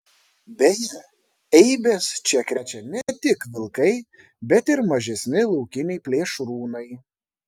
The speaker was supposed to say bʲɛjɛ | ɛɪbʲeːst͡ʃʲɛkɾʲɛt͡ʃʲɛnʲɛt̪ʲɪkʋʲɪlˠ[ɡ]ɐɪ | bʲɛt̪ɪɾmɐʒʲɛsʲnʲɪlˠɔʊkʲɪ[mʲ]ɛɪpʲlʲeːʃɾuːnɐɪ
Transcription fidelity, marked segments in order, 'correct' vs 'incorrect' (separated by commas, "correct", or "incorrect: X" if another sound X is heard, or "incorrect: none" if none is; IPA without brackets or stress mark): incorrect: k, incorrect: nʲ